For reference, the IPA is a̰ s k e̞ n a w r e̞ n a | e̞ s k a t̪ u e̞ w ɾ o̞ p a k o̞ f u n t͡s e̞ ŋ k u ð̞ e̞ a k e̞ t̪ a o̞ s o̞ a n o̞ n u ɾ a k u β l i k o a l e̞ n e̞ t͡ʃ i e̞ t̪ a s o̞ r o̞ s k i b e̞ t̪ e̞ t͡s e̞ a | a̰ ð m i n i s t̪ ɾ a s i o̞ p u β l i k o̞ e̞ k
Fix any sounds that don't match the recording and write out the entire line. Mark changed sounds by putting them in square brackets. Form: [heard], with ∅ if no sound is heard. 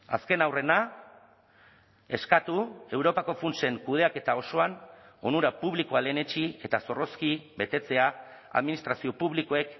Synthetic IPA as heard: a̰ s k e̞ n a w r e̞ n a | e̞ s k a t̪ u e̞ w ɾ o̞ p a k o̞ f u n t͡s e̞ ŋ k u ð̞ e̞ a k e̞ t̪ a o̞ s o̞ a n o̞ n u ɾ a [p] u β l i k o a l e̞ n e̞ t͡ʃ i e̞ t̪ a s o̞ r o̞ s k i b e̞ t̪ e̞ t͡s e̞ a | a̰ ð m i n i s t̪ ɾ a s i o̞ p u β l i k o̞ e̞ k